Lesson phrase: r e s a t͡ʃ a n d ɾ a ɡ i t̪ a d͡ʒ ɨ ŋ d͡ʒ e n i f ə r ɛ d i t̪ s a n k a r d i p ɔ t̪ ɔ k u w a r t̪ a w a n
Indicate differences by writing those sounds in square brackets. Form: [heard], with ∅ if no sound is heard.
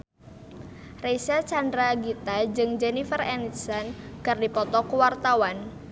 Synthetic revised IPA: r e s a t͡ʃ a n d ɾ a ɡ i t̪ a d͡ʒ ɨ ŋ d͡ʒ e n i f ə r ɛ [n] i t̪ s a n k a r d i p ɔ t̪ ɔ k u w a r t̪ a w a n